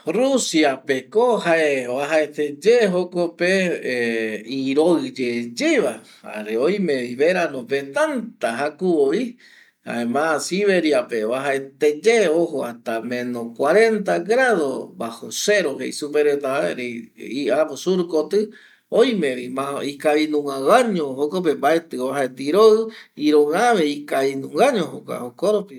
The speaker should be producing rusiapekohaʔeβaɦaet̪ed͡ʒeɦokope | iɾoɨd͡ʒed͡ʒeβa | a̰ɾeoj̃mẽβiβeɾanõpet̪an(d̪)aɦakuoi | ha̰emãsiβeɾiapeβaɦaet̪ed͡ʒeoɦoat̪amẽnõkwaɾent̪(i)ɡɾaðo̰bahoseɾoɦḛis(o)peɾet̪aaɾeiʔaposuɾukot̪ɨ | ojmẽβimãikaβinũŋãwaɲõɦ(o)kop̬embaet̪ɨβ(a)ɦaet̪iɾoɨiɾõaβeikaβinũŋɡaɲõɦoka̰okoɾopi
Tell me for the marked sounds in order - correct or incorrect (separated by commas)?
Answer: incorrect, incorrect, incorrect, correct, correct